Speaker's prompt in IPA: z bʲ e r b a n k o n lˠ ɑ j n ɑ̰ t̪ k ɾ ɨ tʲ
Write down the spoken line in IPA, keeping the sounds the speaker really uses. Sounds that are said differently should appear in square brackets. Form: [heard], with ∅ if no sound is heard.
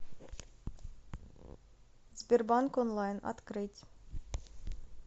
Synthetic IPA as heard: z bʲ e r b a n k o n lˠ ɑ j n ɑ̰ t̪ k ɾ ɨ tʲ